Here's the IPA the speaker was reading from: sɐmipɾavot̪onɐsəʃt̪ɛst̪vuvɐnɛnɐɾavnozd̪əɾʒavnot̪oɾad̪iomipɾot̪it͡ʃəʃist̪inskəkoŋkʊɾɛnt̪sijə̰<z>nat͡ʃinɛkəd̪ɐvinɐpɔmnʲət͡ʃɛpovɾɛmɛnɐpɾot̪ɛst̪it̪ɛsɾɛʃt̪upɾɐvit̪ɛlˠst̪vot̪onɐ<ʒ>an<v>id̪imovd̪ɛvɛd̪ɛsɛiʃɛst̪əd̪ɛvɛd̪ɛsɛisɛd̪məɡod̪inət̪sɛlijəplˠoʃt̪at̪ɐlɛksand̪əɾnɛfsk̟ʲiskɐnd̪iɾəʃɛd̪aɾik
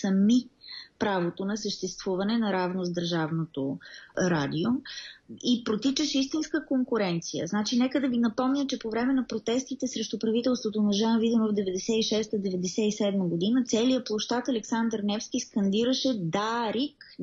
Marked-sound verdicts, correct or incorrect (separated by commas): correct, correct, correct